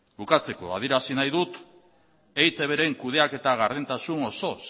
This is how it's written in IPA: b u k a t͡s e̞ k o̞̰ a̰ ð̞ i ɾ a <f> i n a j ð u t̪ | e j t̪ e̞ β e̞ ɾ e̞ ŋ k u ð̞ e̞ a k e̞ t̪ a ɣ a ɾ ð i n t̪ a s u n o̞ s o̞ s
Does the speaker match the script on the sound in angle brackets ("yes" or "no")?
no